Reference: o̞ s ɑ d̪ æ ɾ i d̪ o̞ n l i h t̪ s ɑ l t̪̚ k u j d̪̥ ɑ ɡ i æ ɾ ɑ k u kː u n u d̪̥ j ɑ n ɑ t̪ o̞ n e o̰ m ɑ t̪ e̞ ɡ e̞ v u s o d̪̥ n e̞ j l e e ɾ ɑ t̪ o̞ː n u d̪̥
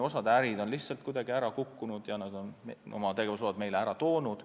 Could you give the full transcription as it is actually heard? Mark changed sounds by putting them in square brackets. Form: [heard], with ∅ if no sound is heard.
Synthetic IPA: o̞ s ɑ d̪ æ ɾ i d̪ o̞ n l i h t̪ s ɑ l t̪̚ k u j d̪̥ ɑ ɡ i æ ɾ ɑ k u kː u n u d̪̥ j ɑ n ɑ [d̪] o̞ n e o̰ m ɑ t̪ e̞ ɡ e̞ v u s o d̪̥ [m] e̞ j l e [æ] ɾ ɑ t̪ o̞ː n u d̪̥

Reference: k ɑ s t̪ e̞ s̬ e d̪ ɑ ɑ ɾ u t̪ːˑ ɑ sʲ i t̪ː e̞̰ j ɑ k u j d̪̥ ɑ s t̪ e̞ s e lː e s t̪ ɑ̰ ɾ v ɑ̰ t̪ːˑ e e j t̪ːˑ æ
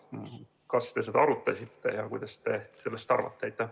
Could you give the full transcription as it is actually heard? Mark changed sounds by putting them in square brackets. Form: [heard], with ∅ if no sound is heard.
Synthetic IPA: k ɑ s t̪ e̞ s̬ e d̪ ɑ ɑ ɾ u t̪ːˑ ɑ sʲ i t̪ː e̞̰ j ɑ k u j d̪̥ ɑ s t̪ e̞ s e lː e s t̪ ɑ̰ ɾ v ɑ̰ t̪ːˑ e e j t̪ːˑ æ

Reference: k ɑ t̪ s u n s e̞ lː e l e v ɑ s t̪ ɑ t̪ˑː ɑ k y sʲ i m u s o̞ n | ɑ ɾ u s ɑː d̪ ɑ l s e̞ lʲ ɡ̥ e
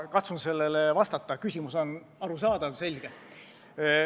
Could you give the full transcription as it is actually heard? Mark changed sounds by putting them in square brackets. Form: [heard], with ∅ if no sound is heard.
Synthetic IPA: k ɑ t̪ s u n s e̞ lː e l e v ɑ s t̪ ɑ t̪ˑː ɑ k y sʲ i m u s o̞ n | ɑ ɾ u s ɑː d̪ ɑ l s e̞ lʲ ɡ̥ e

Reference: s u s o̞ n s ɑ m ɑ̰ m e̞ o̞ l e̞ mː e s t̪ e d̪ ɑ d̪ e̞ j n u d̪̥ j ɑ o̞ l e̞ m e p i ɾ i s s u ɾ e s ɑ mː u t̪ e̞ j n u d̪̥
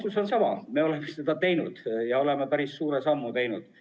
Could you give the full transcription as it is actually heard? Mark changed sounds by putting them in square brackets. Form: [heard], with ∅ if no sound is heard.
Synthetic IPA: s u s o̞ n s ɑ m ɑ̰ m e̞ o̞ l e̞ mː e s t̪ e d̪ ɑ [t̪] e̞ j n u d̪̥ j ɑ o̞ l e̞ m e p [æ] ɾ i s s [uː] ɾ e s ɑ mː u t̪ e̞ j n u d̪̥

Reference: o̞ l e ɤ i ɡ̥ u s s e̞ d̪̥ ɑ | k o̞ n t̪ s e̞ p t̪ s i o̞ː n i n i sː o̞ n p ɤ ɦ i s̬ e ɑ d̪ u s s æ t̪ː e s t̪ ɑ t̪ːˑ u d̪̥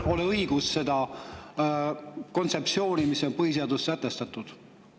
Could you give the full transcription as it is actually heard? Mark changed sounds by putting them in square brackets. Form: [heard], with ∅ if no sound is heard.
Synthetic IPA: o̞ l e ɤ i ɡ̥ u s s e̞ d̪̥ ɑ | k o̞ n t̪ s e̞ p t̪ s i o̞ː n i [m] i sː o̞ n p ɤ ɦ i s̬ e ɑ d̪ u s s æ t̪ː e s t̪ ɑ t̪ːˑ u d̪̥

